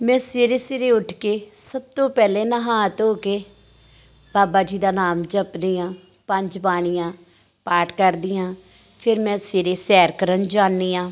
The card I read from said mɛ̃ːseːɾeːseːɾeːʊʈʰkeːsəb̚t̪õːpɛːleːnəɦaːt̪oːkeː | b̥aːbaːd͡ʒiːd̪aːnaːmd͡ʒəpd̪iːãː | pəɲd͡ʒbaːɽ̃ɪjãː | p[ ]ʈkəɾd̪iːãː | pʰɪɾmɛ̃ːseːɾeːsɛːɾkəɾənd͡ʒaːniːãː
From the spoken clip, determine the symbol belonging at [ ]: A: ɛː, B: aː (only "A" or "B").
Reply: B